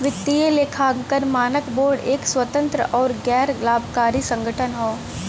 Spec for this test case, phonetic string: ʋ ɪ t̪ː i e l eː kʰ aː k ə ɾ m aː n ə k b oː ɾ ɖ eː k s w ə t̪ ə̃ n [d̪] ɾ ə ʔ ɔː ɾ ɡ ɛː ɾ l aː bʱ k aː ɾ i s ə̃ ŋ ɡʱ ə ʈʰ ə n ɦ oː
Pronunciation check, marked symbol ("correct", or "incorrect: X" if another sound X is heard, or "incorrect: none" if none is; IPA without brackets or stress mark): incorrect: t̪